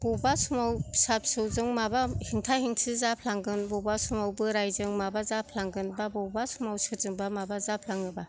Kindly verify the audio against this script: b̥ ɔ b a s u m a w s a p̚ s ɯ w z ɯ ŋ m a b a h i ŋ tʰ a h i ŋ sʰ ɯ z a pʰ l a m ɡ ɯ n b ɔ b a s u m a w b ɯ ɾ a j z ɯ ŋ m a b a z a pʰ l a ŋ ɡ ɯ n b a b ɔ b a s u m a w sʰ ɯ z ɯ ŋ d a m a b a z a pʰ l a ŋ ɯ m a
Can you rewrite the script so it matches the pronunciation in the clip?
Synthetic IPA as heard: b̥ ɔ b a s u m a w s a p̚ s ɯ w z ɯ ŋ m a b a h i ŋ tʰ a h i ŋ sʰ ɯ z a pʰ l a ŋ ɡ ɯ n b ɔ b a s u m a w b ɯ ɾ a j z ɯ ŋ m a b a z a pʰ l a ŋ ɡ ɯ n b a b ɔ b a s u m a w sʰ ɯ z ɯ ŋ b a m a b a z a pʰ l a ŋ ɯ b a